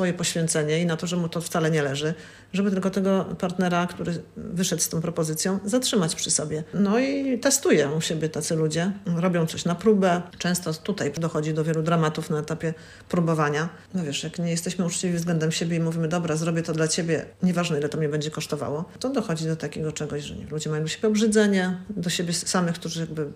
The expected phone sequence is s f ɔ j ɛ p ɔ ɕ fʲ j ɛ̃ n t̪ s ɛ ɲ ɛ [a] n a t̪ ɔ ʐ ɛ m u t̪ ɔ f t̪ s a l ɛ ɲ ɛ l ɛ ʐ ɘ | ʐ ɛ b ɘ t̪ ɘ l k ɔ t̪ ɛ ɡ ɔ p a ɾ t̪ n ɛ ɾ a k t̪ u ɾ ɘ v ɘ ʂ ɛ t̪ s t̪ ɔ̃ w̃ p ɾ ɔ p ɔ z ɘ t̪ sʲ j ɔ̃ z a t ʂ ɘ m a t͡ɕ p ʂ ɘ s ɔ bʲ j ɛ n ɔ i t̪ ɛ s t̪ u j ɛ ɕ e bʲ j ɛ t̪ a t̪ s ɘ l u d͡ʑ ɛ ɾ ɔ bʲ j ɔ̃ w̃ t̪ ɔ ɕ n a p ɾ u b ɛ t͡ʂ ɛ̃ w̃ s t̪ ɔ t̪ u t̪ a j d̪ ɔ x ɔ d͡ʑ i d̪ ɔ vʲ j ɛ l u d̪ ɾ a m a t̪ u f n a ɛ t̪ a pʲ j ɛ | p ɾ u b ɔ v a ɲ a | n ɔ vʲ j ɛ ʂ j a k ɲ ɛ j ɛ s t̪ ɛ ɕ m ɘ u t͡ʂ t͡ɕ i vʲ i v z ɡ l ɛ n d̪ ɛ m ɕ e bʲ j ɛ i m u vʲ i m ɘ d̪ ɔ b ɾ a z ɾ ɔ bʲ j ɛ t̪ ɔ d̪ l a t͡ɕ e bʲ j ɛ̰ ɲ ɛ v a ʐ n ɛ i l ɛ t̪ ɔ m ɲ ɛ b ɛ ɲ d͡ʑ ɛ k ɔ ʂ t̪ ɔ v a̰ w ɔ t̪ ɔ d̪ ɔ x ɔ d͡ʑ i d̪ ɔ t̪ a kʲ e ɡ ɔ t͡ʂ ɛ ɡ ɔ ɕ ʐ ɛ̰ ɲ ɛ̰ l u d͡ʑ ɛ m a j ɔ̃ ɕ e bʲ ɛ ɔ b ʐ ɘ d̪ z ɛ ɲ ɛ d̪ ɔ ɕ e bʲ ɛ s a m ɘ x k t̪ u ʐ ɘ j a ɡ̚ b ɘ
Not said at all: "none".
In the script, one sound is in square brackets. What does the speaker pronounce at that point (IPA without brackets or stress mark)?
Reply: i